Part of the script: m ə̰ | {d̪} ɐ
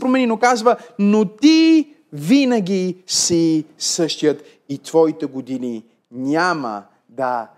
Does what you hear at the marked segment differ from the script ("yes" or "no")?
no